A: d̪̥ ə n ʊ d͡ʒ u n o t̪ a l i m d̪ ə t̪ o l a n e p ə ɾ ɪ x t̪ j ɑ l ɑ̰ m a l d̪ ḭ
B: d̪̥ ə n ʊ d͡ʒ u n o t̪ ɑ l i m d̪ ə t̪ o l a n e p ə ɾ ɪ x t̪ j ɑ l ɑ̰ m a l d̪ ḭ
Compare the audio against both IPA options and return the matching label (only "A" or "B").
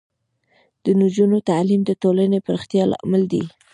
A